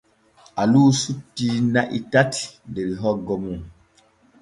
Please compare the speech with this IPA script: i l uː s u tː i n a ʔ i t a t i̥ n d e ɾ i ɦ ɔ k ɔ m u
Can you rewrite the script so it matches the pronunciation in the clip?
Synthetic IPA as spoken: a l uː s u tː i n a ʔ i t a t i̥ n d e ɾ i ɦ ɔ ɡ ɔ m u